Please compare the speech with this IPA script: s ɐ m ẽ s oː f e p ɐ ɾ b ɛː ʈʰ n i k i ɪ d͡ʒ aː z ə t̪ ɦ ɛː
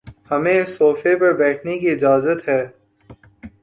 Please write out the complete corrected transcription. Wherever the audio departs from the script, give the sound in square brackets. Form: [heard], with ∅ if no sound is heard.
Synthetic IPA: [h] ɐ m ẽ s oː f e p ɐ ɾ b ɛː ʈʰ n [e] k i ɪ d͡ʒ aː z ə t̪ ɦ ɛː